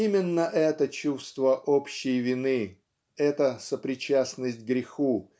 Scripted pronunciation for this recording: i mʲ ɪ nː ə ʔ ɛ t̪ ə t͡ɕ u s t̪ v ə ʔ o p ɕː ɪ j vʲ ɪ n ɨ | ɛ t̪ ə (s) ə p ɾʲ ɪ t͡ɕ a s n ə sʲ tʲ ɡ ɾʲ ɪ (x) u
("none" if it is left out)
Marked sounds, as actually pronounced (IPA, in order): s, x

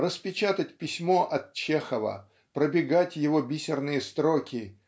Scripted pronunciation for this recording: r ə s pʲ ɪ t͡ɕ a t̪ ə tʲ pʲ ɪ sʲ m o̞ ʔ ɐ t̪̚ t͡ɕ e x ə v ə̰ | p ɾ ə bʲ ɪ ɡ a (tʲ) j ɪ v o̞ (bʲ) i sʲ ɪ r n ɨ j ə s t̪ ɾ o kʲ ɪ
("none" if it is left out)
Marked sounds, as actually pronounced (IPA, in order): tʲ, bʲ

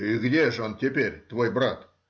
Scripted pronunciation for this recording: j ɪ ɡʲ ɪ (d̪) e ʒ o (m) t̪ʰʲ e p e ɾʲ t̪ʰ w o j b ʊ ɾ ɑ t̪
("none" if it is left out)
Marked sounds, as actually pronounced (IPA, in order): d̪, n

